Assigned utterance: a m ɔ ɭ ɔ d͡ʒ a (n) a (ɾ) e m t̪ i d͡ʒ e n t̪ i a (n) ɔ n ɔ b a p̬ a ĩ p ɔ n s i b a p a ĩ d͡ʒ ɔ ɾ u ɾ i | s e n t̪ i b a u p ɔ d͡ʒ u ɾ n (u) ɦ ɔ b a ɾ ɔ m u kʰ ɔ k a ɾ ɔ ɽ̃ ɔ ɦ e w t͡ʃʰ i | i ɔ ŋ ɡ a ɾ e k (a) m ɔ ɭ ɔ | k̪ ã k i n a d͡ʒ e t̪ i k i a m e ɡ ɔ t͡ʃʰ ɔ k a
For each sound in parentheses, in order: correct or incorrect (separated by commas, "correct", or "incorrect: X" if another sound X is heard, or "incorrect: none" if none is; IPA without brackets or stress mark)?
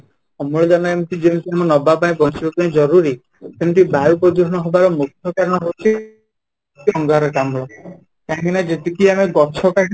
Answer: correct, incorrect: none, incorrect: m, incorrect: ɔ, correct